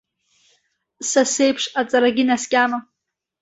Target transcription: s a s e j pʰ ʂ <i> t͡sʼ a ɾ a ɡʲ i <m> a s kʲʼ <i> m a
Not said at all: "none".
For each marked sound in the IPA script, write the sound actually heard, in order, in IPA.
a, n, a

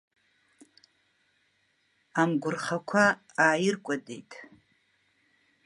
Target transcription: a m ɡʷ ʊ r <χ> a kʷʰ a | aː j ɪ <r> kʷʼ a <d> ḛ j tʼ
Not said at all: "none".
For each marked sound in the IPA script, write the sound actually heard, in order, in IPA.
χ, r, d

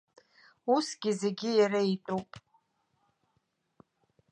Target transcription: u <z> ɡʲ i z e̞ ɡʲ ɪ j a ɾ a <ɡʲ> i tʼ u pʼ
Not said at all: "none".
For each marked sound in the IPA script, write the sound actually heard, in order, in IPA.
s, none

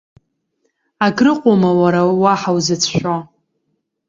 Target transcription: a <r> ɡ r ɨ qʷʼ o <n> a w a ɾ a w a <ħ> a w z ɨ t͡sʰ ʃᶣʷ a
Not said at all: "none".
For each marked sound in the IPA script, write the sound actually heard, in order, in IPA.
none, m, ħ

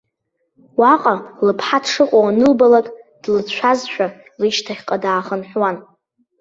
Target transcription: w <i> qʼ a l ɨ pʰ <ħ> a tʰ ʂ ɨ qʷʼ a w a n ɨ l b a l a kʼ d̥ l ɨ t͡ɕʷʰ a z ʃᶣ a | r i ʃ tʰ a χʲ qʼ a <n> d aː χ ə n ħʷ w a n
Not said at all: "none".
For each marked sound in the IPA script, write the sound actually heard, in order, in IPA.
a, ħ, none

